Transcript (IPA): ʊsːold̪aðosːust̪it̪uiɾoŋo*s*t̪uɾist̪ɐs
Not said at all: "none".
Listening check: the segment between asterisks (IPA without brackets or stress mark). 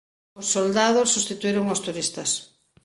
s